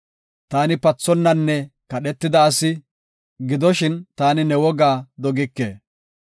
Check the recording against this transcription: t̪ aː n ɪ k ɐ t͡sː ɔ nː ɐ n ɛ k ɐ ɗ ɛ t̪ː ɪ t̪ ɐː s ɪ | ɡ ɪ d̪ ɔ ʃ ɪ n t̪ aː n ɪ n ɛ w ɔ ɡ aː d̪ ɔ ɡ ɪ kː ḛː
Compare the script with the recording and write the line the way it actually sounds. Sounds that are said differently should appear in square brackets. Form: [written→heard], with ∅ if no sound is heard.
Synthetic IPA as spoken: t̪ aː n ɪ [k→p] ɐ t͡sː ɔ nː ɐ [n→nː] ɛ k ɐ ɗ ɛ t̪ː ɪ [t̪→d̪] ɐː s ɪ | ɡ ɪ d̪ ɔ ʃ ɪ n t̪ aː n ɪ n ɛ w ɔ ɡ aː d̪ ɔ ɡ ɪ kː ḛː